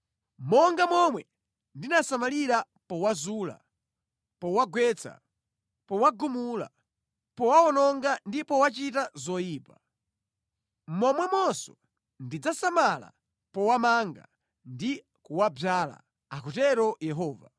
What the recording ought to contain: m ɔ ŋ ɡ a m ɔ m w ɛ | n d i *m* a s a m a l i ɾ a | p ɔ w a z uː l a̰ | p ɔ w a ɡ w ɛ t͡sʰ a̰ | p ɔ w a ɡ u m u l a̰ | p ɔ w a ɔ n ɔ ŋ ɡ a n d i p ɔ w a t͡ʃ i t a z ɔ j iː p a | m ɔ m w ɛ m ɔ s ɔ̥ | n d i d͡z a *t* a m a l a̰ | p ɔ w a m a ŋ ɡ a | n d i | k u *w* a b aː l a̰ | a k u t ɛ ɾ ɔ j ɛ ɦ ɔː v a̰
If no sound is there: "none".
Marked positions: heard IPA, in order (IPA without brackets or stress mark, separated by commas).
n, s, w